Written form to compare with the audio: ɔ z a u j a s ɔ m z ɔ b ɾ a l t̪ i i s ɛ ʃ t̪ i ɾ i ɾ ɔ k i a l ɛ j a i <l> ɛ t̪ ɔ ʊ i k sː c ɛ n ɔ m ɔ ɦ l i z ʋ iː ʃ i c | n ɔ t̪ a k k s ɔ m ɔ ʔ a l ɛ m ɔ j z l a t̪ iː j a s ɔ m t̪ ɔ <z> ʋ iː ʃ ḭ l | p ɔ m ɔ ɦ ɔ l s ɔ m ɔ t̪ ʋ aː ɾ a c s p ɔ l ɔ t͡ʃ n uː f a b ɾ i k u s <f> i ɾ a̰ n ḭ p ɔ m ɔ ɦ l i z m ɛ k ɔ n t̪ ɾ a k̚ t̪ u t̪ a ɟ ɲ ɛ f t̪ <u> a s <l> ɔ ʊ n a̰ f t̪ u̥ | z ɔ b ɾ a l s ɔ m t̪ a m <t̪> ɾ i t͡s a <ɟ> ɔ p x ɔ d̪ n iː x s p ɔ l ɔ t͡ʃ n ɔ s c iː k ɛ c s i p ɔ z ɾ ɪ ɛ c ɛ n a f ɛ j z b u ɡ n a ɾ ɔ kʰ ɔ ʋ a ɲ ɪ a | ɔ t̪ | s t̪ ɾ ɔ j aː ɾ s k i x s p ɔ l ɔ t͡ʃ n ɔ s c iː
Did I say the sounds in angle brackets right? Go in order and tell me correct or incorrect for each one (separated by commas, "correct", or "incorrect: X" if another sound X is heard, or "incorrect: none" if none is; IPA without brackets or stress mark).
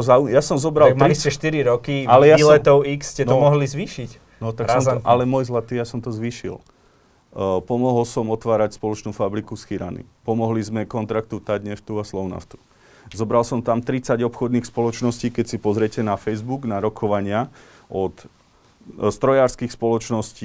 correct, correct, incorrect: x, correct, correct, correct, correct